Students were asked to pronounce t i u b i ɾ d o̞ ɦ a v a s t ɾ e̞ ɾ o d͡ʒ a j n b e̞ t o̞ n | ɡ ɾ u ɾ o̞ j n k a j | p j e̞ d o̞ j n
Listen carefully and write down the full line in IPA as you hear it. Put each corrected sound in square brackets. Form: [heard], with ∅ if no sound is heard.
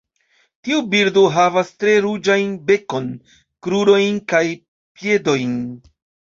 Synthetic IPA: t i u b i ɾ d o̞ ɦ a v a s t ɾ e̞ ɾ [u] d͡ʒ a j n b e̞ [k] o̞ n | [k] ɾ u ɾ o̞ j n k a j | p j e̞ d o̞ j n